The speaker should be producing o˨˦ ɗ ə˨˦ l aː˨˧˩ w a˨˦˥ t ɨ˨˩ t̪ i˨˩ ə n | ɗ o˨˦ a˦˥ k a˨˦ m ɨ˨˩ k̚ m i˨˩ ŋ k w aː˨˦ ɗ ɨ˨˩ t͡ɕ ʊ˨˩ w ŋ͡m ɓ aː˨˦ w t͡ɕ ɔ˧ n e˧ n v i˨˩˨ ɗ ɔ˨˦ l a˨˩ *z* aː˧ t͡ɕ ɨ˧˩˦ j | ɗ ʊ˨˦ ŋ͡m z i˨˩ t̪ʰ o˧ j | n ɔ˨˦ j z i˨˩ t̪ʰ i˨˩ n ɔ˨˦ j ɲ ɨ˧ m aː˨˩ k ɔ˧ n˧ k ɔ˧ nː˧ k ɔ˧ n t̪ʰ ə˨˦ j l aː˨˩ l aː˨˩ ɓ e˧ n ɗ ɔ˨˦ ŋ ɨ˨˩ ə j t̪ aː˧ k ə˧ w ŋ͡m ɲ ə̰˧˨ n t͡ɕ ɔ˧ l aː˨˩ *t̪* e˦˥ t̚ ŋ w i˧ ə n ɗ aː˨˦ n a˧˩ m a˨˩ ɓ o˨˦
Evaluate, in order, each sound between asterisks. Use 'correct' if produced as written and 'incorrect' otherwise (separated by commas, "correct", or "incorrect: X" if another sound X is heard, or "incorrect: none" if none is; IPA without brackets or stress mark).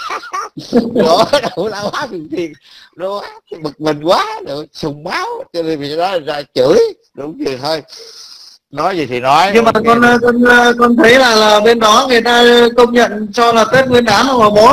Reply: correct, correct